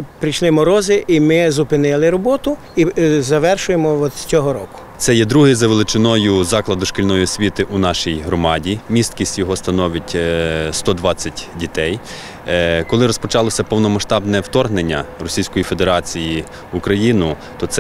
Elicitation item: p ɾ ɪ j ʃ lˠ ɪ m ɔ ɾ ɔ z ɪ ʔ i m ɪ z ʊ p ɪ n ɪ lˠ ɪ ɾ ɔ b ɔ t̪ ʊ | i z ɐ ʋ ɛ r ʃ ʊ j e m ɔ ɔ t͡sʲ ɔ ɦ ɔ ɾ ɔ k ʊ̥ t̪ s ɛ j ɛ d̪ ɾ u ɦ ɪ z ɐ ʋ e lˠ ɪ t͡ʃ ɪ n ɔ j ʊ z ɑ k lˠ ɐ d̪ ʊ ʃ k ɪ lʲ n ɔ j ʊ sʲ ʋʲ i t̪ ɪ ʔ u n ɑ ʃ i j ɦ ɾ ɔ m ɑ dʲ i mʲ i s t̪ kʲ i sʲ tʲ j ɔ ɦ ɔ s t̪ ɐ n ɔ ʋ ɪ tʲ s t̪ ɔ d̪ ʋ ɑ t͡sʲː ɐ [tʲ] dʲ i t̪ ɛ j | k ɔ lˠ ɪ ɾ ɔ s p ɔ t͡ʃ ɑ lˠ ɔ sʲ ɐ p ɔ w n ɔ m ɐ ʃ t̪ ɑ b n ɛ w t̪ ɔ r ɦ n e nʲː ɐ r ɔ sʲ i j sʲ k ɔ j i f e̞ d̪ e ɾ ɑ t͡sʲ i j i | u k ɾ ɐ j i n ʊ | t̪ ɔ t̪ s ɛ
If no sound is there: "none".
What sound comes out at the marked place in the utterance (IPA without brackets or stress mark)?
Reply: tʲ